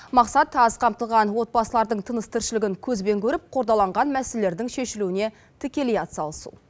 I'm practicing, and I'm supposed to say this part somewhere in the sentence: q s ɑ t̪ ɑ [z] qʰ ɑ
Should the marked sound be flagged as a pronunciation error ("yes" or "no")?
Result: no